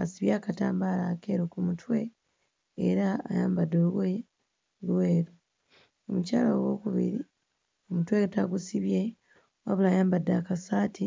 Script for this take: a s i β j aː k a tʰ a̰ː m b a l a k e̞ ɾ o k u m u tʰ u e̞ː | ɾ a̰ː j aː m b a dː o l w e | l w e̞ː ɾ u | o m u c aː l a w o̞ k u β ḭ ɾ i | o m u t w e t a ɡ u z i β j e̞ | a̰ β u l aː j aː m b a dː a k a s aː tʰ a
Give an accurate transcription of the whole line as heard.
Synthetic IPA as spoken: a s i β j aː k a t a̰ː m b a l a k e̞ ɾ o k u m u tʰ w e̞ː | ɾ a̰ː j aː m b a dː o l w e | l w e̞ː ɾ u | o m u c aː l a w o̞ k u β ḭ ɾ i | o m u t w e t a ɡ u s i β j e̞ | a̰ β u l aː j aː m b a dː a k a s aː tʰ i